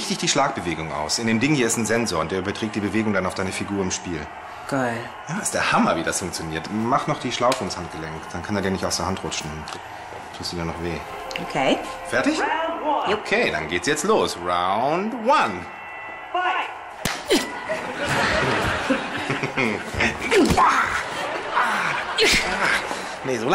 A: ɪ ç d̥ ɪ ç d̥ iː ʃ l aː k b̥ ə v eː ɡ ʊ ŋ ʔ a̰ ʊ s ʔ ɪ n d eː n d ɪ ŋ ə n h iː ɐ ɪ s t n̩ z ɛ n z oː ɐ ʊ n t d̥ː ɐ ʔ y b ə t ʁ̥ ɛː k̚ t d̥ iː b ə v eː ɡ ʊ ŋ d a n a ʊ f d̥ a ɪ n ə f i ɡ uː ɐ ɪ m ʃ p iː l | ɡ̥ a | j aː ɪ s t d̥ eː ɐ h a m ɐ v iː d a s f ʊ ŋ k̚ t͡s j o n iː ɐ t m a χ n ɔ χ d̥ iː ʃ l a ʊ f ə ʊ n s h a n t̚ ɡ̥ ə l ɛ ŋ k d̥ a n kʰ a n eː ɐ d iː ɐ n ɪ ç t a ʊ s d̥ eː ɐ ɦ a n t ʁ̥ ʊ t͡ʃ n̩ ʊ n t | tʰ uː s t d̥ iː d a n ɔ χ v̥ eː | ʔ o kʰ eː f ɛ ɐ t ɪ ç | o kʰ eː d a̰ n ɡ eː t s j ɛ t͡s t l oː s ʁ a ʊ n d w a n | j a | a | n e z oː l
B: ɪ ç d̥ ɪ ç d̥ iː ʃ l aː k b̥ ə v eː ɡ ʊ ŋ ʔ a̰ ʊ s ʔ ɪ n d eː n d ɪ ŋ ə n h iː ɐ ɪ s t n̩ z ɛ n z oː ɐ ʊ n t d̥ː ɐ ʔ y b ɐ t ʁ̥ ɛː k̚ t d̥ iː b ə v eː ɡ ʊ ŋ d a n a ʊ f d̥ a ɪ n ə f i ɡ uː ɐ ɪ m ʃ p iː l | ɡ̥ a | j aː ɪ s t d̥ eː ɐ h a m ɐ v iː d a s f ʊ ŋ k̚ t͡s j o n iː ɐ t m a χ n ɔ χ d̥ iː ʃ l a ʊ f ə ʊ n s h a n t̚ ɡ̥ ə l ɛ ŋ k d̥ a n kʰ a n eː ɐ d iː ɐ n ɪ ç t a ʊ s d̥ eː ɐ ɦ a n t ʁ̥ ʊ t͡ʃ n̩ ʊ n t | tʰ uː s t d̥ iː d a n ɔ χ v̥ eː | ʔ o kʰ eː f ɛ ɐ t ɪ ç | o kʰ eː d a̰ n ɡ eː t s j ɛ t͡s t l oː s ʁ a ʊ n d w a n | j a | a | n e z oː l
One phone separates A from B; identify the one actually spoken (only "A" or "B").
B